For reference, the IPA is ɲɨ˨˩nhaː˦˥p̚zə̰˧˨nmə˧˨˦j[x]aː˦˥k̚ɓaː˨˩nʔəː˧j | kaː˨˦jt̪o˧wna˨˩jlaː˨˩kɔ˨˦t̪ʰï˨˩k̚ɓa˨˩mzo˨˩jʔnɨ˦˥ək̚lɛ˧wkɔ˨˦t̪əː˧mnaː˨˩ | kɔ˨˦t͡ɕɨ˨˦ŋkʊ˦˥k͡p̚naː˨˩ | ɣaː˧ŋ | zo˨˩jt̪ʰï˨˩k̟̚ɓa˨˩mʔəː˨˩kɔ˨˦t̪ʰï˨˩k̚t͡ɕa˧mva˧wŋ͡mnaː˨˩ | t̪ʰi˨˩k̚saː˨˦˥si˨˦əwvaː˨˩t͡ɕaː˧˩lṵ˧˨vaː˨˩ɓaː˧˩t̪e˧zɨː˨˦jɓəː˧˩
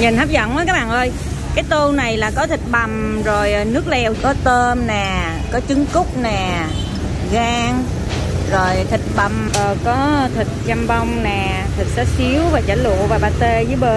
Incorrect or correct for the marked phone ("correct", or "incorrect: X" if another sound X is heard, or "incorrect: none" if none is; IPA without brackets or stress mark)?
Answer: incorrect: k